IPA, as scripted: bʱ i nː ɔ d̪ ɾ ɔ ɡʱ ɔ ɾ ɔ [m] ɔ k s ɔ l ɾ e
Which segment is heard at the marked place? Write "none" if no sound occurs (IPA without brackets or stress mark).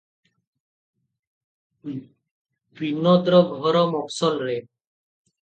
m